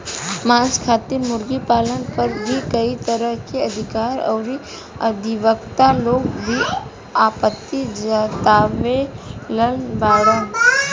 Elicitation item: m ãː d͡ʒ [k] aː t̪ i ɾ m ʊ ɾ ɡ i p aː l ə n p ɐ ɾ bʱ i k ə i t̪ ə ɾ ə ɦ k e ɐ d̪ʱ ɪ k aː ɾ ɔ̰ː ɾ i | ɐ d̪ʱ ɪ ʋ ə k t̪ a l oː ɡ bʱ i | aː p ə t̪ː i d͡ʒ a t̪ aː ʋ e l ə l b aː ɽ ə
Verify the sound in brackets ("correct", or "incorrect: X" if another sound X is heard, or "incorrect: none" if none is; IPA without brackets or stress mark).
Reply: incorrect: kʰ